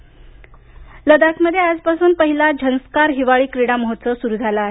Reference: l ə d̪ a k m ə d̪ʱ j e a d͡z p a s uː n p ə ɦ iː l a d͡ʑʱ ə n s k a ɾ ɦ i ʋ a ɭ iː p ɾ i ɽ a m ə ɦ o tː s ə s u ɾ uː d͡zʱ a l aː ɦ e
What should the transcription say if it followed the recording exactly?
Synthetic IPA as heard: l ə d̪ a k m ə d̪ʱ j e a d͡z p a s uː n p ə ɦ i l a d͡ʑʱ ə n s k a ɾ ɦ i ʋ a ɭ iː k ɾ i ɽ a m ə ɦ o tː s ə s u ɾ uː d͡zʱ a l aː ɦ e

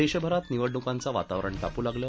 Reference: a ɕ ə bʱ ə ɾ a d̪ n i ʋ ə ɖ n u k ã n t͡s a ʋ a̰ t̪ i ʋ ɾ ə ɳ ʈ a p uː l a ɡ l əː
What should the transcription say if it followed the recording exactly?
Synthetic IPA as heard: e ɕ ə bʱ ə ɾ a t̪ n i ʋ ə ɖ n u k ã n t͡s a ʋ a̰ t̪ a ʋ ɾ ə ɳ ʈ a p uː l a ɡ l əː

